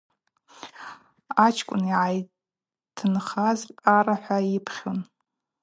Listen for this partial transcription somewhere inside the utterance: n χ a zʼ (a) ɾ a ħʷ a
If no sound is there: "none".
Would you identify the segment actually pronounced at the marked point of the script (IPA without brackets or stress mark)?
a